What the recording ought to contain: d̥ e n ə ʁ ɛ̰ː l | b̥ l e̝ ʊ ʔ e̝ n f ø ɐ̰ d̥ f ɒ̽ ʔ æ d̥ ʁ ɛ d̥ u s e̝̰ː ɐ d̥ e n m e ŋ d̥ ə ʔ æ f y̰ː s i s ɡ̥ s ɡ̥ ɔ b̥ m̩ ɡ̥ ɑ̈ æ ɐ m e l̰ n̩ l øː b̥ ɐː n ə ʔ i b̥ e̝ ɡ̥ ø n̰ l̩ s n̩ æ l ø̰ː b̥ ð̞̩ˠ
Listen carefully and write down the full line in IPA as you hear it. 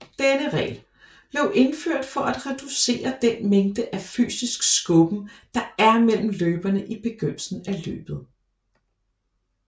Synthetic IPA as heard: d̥ e n ə ʁ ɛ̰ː l | b̥ l e̝ ʊ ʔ e̝ n f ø ɐ̰ d̥ f ɒ̽ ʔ æ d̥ ʁ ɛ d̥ u s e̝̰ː ɐ d̥ e n m e ŋ d̥ ə ʔ æ f y̰ː s i s ɡ̥ s ɡ̥ ɔ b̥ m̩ d̥ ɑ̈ æ ɐ m e l̰ m̩ l øː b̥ ɐ n ə ʔ i b̥ e̝ ɡ̥ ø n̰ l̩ s n̩ æ l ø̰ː b̥ ð̞̩ˠ